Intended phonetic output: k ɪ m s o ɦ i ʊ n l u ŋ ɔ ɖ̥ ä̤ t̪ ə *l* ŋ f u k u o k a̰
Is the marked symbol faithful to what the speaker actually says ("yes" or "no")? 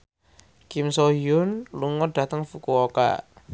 no